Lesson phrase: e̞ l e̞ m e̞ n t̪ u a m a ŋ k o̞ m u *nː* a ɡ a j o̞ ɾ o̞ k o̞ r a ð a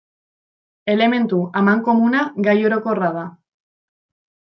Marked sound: incorrect: n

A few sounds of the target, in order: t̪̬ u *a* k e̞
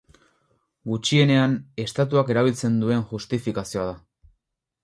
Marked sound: correct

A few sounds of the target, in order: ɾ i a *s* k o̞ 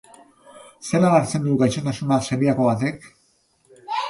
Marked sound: incorrect: none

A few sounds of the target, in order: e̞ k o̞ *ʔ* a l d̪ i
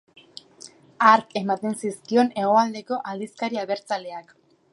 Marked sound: correct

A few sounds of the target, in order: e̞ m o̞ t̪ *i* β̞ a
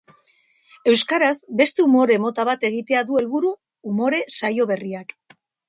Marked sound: incorrect: a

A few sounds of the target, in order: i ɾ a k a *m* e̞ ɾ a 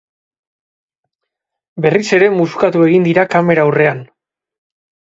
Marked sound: correct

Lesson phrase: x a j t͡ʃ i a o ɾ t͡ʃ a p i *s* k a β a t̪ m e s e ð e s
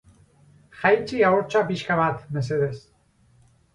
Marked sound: incorrect: ʃ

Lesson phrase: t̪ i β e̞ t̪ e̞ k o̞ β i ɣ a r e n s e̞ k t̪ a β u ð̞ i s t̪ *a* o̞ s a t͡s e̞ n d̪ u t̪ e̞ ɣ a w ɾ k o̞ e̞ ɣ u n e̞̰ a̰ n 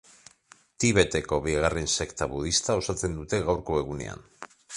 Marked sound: correct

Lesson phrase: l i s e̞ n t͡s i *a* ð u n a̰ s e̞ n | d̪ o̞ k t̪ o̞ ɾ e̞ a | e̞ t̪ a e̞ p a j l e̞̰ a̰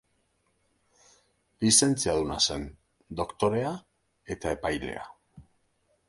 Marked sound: correct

